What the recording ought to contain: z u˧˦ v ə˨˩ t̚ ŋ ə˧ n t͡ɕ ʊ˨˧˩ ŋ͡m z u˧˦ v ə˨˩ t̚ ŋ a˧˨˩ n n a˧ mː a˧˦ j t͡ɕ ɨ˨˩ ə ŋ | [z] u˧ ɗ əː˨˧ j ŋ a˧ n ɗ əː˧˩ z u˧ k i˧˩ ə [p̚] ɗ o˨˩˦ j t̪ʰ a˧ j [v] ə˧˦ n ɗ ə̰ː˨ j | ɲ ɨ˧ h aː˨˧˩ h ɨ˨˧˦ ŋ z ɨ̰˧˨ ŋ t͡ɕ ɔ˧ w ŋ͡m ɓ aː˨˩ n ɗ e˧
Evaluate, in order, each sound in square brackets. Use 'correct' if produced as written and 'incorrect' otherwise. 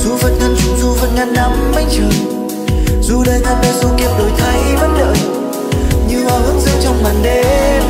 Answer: correct, correct, correct

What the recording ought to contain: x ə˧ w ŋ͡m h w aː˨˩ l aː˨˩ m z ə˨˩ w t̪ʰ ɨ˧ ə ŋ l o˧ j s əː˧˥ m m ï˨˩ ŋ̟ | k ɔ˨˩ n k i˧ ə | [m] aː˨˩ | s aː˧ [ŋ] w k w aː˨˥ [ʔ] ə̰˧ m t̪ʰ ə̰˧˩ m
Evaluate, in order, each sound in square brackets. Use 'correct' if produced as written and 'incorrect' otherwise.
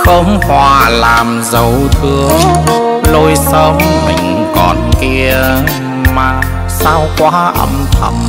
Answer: correct, incorrect: none, correct

